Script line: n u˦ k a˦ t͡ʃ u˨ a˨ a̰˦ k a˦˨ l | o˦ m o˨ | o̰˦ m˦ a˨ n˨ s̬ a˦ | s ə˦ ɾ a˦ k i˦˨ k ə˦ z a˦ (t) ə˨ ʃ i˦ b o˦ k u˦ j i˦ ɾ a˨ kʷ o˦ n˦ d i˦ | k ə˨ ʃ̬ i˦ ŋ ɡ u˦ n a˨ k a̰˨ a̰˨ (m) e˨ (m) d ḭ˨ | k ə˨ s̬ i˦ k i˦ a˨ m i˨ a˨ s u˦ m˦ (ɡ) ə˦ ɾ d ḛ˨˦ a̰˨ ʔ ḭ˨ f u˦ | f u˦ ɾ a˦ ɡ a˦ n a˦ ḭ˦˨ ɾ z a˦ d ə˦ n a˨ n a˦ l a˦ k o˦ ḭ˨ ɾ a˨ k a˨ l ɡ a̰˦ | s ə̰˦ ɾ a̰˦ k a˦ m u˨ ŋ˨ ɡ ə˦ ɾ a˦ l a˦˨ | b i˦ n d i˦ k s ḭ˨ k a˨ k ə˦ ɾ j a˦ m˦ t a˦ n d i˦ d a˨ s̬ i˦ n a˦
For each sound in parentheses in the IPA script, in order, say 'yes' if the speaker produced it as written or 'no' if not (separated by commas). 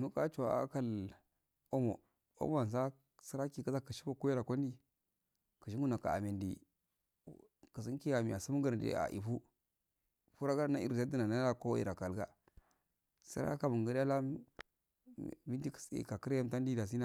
no, yes, no, yes